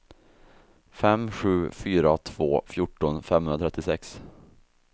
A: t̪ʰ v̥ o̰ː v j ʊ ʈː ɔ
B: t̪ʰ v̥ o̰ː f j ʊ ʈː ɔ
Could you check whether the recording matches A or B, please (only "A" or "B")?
B